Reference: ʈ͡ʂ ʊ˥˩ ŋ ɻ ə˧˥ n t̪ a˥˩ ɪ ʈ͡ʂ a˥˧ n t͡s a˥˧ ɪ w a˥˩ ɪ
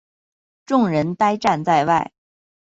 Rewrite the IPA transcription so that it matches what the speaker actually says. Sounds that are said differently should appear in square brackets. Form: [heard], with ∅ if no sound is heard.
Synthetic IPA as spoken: ʈ͡ʂ ʊ˥˩ ŋ ɻ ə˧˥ n t̪ [a˥] ɪ ʈ͡ʂ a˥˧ n t͡s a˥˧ ɪ w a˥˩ ɪ